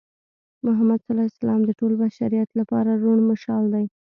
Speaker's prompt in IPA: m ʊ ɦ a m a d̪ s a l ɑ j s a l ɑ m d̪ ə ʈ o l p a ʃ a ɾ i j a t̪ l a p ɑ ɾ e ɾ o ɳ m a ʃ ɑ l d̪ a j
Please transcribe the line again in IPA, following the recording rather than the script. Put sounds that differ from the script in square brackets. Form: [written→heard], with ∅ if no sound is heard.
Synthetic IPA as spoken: m ʊ ɦ a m a d̪ s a l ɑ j s a l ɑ m d̪ ə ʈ o l [p→b] a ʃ a ɾ i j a t̪ l a p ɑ ɾ [e→a] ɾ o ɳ m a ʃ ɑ l d̪ a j